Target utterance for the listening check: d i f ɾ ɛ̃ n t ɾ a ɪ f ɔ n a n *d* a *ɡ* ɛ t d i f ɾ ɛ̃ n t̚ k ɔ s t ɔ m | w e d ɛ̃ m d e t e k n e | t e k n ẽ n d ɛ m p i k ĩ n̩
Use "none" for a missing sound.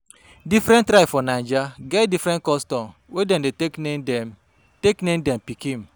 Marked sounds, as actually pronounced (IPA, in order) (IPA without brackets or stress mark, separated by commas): d͡ʒ, ɡ